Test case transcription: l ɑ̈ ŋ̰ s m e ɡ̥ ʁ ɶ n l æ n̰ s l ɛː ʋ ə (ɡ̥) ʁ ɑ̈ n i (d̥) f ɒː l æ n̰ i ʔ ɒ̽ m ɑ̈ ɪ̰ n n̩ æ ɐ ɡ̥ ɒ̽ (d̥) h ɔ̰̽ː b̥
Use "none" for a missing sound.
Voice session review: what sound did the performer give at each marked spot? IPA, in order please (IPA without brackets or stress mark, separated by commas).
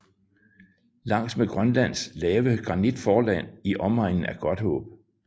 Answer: ɡ̥, d̥, d̥